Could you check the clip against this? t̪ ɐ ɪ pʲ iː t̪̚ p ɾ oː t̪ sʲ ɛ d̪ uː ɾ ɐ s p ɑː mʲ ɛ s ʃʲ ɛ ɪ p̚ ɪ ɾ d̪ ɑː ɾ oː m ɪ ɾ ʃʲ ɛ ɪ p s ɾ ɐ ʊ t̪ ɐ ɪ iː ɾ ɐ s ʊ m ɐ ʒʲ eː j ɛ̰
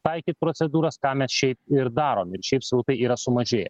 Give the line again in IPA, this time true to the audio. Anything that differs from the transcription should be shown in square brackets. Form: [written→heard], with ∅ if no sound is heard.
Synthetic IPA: t̪ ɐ ɪ [pʲ→kʲ] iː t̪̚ p ɾ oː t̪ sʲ ɛ d̪ uː ɾ ɐ s [p→k] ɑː mʲ ɛ s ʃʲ ɛ ɪ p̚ ɪ ɾ d̪ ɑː ɾ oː m ɪ ɾ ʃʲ ɛ ɪ p s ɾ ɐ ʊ t̪ ɐ ɪ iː ɾ ɐ s ʊ m ɐ ʒʲ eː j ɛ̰